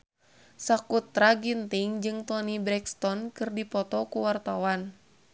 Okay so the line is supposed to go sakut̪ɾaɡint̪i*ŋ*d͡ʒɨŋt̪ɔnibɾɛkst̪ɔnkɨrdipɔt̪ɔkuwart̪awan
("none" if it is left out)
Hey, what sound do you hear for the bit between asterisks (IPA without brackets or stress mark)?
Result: ŋ